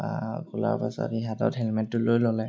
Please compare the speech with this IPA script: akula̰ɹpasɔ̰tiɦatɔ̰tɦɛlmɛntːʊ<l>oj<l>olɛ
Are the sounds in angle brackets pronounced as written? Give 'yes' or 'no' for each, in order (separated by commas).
yes, yes